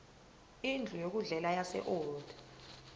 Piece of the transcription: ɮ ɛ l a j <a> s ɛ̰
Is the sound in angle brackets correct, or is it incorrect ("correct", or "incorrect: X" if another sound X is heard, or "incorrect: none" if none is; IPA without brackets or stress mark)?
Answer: correct